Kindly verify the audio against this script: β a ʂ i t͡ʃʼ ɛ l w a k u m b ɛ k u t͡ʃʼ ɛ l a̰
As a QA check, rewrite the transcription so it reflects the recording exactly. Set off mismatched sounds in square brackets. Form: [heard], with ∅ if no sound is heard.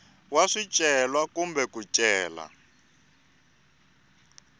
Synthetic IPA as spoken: [w] a ʂ i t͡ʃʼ ɛ l w a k u m b ɛ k u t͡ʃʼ [ɛː] l a̰